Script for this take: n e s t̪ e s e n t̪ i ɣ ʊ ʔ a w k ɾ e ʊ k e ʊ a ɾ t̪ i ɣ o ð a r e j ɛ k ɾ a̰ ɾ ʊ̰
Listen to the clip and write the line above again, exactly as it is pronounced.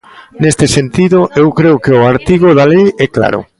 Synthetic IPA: n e s t̪ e s e n t̪ i ð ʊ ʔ e w k ɾ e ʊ k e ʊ a ɾ t̪ i ɣ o ð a l e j ɛ k l a̰ ɾ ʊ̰